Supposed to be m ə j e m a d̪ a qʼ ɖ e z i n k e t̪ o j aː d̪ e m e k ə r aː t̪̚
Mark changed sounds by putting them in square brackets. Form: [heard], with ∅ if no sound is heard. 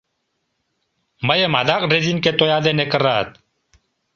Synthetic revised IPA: m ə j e m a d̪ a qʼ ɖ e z i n k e t̪ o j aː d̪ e [n] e k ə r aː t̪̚

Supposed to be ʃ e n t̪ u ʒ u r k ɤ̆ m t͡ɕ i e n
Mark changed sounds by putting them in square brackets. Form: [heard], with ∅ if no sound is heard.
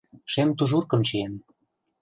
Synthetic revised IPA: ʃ e [m] t̪ u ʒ u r k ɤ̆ m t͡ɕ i e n

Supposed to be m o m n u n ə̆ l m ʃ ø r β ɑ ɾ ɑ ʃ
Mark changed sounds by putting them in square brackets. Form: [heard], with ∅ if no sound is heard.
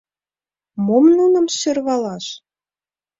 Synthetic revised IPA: m o m n u n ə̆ [∅] m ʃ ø r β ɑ [l] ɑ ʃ

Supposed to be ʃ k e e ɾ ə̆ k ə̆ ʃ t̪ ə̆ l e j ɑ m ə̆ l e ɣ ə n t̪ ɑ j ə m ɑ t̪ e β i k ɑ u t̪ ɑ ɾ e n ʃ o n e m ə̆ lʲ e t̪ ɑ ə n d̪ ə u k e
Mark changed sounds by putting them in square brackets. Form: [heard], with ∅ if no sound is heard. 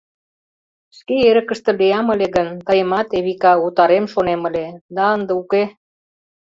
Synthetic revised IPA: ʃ k e e ɾ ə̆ k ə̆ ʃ t̪ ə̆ l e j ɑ m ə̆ l e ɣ ə n t̪ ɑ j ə m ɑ t̪ e β i k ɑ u t̪ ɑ ɾ e [m] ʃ o n e m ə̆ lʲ e [d̪] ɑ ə n d̪ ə u k e

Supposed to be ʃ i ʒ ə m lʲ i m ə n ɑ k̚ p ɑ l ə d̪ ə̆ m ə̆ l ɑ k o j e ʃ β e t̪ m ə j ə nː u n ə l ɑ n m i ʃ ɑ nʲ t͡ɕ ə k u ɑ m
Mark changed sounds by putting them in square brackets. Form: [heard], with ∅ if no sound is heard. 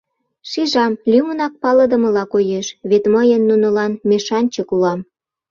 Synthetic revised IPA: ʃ i ʒ [ɑ] m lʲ [y] m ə n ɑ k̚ p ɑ l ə d̪ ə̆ m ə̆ l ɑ k o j e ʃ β e t̪ m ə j ə nː u n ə l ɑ n m [e] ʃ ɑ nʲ t͡ɕ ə k u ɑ m

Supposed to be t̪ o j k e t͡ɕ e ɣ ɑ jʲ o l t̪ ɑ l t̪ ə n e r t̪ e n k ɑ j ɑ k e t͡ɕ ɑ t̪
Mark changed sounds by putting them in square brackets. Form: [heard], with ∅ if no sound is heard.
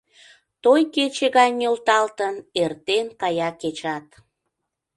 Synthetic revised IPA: t̪ o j k e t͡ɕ e ɣ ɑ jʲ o l t̪ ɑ l t̪ ə n e r t̪ e n k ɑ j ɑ k e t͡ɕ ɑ t̪

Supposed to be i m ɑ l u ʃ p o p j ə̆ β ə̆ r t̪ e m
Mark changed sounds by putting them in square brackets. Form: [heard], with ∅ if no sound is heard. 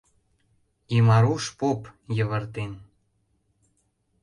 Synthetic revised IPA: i m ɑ [ɾ] u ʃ p o p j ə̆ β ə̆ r t̪ e [n]

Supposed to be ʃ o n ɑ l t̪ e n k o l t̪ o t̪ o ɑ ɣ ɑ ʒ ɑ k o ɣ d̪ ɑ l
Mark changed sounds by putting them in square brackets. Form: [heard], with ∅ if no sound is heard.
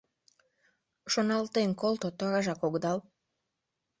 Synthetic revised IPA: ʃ o n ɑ l t̪ e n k o l t̪ o t̪ o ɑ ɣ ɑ ʒ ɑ k o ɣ d̪ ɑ l

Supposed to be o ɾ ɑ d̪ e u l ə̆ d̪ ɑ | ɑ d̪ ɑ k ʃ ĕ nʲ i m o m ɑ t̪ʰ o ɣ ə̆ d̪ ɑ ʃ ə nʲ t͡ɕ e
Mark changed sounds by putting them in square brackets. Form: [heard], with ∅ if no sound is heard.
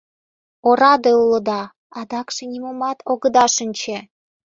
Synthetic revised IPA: o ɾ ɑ d̪ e u l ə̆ d̪ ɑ | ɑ d̪ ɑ k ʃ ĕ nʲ i m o m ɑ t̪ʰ o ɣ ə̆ d̪ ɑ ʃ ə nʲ t͡ɕ e

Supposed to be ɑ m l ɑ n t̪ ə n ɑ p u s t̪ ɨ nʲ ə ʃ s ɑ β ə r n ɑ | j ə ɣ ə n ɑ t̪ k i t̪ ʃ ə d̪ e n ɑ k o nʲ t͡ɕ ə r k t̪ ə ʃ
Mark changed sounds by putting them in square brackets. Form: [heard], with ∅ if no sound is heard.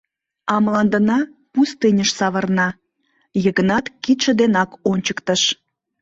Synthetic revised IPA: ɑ m l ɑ n [d̪] ə n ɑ p u s t̪ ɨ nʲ ə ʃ s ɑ β ə r n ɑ | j ə ɣ ə n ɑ t̪ k i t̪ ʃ ə d̪ e n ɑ k o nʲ t͡ɕ ə [∅] k t̪ ə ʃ

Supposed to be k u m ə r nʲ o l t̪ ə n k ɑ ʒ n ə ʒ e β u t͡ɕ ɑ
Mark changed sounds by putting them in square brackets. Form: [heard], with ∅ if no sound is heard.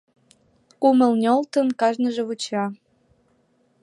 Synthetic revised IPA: k u m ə [l] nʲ o l t̪ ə n k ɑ ʒ n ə ʒ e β u t͡ɕ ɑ

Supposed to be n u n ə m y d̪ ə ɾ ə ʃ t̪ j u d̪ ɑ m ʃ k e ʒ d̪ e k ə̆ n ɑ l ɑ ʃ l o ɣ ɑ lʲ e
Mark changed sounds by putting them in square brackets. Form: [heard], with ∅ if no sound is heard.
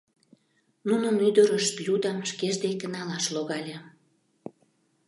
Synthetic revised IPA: n u n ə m y d̪ ə ɾ ə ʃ t̪ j u d̪ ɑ m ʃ k e ʒ d̪ e k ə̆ n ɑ l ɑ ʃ l o ɣ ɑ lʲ e

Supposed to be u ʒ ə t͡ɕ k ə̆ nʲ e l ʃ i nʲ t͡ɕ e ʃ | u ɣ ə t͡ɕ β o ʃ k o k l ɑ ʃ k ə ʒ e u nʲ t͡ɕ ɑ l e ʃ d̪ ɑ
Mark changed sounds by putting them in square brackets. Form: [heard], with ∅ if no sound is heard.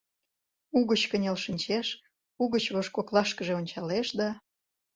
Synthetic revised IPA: u [ɣ] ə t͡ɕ k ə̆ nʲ e l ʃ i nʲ t͡ɕ e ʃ | u ɣ ə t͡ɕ β o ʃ k o k l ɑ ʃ k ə ʒ e [o] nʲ t͡ɕ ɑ l e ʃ d̪ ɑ

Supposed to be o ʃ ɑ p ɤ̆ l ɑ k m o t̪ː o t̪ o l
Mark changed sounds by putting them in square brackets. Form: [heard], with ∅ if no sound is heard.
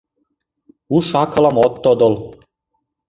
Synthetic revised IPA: [u] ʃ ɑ [k] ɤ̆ l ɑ [∅] m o t̪ː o [d̪] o l

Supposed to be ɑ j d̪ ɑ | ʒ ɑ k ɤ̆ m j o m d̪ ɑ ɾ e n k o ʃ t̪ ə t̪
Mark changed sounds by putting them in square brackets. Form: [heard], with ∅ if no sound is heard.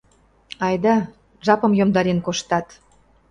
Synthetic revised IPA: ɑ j d̪ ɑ | ʒ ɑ [p] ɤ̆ m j o m d̪ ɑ ɾ e n k o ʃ t̪ [ɑ] t̪

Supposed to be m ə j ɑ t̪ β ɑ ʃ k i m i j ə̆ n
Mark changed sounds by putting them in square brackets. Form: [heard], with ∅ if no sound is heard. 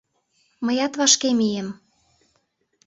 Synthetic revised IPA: m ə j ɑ t̪ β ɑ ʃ k [e] m i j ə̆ [m]

